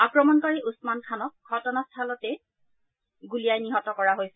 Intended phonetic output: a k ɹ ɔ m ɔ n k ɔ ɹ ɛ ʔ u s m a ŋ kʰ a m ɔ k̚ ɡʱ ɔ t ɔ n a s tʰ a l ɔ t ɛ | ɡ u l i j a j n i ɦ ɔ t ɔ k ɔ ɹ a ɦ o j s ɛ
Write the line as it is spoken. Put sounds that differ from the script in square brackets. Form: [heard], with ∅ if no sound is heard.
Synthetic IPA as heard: a k ɹ ɔ m ɔ n k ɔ ɹ [i] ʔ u s m a [n] kʰ a [n] ɔ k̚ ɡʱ ɔ t ɔ n a s tʰ a l ɔ t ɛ | ɡ u l i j a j n i ɦ ɔ t ɔ k ɔ ɹ a ɦ o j s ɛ